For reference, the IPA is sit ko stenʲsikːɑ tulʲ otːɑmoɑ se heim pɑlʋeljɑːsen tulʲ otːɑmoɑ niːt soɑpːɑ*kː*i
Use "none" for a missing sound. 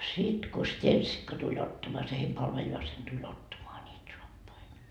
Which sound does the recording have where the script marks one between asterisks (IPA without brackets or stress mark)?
none